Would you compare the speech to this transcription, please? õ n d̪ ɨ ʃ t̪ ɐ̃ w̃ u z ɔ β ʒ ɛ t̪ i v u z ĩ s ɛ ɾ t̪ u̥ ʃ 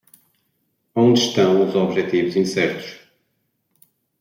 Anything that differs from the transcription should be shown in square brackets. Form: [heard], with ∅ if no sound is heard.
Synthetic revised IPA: õ n d̪ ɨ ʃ t̪ ɐ̃ w̃ u z ɔ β ʒ ɛ t̪ i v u z ĩ s ɛ ɾ t̪ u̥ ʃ